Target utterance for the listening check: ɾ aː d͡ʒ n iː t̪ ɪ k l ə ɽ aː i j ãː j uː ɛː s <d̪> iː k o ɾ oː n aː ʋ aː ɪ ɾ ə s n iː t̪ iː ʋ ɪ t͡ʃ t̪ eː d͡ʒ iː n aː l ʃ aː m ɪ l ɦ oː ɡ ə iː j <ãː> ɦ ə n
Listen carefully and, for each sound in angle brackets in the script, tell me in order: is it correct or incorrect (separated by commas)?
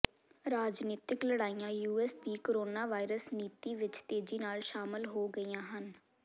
correct, correct